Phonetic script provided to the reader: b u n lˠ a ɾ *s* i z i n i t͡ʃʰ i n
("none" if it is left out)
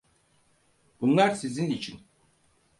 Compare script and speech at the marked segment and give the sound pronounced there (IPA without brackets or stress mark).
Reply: s